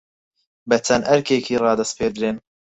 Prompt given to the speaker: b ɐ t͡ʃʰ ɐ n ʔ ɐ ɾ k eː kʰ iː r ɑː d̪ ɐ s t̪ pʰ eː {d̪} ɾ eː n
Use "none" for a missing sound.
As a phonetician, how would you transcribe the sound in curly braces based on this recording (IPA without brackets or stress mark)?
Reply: d̪